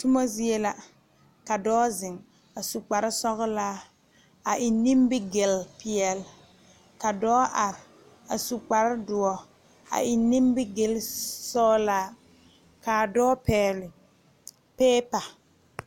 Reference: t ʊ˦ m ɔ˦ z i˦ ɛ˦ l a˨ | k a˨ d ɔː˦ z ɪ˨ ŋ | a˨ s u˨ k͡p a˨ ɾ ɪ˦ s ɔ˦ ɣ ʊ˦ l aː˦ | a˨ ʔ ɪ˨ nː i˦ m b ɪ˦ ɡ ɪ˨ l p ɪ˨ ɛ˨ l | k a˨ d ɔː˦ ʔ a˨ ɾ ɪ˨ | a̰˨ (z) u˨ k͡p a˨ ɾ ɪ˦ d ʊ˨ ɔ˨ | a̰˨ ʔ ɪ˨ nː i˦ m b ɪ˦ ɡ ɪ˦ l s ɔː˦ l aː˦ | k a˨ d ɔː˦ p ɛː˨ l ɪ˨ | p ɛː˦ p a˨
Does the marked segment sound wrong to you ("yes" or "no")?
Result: yes